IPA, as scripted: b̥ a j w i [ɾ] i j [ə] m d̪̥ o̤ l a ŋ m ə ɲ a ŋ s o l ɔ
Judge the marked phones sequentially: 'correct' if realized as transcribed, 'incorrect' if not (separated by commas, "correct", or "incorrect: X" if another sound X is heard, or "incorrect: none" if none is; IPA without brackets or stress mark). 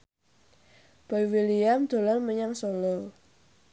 incorrect: l, incorrect: a